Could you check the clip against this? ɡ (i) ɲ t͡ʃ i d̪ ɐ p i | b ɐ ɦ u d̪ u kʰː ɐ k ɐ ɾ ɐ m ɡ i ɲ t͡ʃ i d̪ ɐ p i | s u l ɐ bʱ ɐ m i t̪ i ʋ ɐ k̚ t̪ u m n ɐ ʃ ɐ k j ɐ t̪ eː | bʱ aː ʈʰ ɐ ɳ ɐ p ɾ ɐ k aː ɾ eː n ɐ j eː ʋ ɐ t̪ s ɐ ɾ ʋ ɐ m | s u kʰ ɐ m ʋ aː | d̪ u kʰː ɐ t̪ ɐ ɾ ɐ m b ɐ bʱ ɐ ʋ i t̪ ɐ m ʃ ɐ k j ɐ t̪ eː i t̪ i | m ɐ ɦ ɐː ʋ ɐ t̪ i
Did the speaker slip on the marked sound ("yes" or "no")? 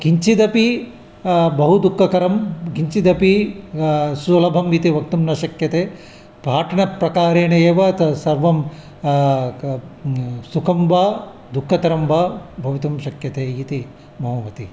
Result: no